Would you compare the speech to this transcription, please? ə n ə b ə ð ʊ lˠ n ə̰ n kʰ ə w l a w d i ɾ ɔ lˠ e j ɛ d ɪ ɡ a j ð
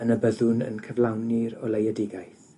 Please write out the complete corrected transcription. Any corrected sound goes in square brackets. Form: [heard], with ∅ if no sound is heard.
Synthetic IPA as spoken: ə n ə b ə ð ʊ [∅] n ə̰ n kʰ ə [v] l a w [n] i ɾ ɔ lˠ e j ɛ d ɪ ɡ a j [θ]

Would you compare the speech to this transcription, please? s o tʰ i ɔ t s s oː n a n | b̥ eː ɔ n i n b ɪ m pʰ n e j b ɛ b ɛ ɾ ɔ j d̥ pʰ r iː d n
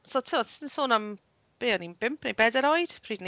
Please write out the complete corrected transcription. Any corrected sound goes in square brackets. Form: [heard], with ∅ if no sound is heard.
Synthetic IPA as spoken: s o tʰ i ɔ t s s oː n a [m] | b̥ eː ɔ n i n b ɪ m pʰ n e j b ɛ [d] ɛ ɾ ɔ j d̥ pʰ r iː d n

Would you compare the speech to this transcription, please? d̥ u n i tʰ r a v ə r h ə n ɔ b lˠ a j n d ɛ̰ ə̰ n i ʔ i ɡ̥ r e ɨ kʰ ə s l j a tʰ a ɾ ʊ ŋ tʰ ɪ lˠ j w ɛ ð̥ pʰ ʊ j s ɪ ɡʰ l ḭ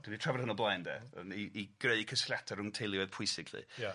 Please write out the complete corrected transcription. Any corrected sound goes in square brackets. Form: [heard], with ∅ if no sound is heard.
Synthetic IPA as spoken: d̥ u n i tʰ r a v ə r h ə n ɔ b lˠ a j n d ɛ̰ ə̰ n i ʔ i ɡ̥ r e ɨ kʰ ə s l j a tʰ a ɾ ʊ ŋ tʰ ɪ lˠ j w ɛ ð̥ pʰ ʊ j s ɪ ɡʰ l ḭ

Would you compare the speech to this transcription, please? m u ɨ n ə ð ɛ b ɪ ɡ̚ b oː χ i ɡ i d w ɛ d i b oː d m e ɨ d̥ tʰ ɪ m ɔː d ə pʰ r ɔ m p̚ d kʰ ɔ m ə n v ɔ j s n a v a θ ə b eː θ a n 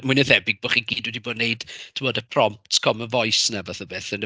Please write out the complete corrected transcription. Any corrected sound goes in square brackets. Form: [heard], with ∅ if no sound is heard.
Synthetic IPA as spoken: m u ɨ n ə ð ɛ b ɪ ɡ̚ b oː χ i ɡ [iː] d w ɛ d i b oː d [n] e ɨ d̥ tʰ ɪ m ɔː d ə pʰ r ɔ m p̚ [t] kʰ ɔ m ə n v ɔ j s n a v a θ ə b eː θ [ə] n

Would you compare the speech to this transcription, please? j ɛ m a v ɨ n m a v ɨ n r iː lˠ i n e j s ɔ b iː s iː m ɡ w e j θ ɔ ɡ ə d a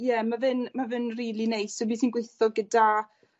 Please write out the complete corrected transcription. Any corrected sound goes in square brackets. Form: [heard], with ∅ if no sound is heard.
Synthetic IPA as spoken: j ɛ m a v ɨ n m a v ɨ n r iː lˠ i n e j s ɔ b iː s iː [n] ɡ w e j θ ɔ ɡ ə d a

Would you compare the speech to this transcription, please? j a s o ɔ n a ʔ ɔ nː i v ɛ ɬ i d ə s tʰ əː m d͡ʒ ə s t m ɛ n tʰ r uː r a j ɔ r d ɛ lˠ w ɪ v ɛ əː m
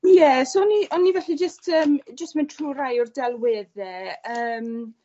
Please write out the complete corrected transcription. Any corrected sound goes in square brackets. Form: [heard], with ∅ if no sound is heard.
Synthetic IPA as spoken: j [ɛ] s o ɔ n [i] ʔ ɔ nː i v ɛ ɬ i [d͡ʒ] ə s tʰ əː m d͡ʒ ə s t m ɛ n tʰ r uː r a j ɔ r d ɛ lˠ w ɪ [ð] ɛ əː m

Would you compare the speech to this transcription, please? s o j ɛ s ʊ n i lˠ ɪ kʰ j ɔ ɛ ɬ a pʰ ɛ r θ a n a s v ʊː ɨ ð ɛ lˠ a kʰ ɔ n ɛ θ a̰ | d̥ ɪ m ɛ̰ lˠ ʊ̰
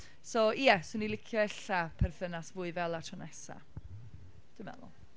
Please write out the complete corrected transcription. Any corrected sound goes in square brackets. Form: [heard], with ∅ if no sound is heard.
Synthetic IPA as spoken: s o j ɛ s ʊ n i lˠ ɪ kʰ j ɔ ɛ ɬ a pʰ ɛ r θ [ə] n a s v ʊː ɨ [v] ɛ lˠ a [tʰ] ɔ n ɛ [s] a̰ | d̥ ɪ m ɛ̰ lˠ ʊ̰

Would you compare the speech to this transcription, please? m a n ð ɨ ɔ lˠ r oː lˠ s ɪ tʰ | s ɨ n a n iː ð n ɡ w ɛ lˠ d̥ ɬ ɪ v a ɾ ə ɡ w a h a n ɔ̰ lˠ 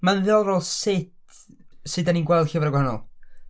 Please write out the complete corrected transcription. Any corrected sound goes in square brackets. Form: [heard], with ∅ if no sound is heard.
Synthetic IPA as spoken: m a n ð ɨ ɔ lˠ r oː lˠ s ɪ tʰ | s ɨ [d] a n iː [∅] n ɡ w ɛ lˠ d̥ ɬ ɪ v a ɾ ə ɡ w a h a n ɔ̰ lˠ

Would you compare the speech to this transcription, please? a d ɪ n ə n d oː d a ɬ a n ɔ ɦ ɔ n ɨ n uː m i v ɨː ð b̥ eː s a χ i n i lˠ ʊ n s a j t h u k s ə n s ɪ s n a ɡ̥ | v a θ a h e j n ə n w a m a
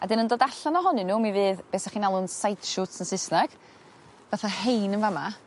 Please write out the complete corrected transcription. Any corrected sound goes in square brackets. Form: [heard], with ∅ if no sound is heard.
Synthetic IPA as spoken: a d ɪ n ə n d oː d a ɬ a n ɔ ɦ ɔ n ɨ n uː m i v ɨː ð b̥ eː s a χ i n [a] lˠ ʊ n s a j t [ʃ] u [t] s ə n s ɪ s n a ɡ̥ | v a θ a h e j n ə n [v] a m a

